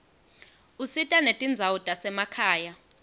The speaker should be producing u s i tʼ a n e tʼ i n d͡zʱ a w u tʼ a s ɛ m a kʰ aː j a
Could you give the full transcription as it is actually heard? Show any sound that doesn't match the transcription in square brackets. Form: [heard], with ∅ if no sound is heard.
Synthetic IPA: u s i tʼ a n e tʼ i n d͡zʱ a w u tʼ a s ɛ m a kʰ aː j a